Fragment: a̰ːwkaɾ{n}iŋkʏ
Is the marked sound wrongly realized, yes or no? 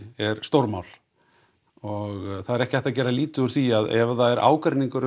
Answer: no